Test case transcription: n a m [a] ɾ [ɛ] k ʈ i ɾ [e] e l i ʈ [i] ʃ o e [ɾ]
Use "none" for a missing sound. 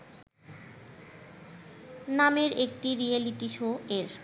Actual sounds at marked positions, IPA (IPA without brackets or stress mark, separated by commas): e, e, i, i, ɾ